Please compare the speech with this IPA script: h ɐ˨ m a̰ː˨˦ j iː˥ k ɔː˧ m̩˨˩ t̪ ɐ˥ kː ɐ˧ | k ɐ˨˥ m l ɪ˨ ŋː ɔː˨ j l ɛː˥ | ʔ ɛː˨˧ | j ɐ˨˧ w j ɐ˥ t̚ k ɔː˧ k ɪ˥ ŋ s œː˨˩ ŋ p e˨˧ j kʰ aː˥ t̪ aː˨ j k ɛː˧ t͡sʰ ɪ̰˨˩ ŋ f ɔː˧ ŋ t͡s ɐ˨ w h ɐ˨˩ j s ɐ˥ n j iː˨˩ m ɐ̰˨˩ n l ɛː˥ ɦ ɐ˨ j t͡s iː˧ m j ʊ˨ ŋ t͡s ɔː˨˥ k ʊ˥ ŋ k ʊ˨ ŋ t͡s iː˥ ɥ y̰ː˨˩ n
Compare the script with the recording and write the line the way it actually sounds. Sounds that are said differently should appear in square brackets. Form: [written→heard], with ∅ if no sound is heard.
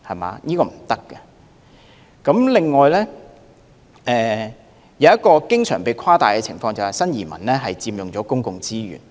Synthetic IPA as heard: h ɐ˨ m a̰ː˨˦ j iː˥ k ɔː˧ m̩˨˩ t̪ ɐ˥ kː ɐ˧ | k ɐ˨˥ m l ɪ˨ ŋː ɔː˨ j l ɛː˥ | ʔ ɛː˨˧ | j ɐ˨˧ w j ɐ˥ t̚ k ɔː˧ k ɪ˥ ŋ s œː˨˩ ŋ p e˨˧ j kʰ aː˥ t̪ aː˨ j k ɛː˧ t͡sʰ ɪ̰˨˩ ŋ f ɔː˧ ŋ t͡s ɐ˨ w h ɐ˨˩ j s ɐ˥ n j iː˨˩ m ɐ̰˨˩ n l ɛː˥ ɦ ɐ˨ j t͡s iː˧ m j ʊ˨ ŋ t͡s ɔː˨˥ k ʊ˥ ŋ k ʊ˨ ŋ t͡s iː˥ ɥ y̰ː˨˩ n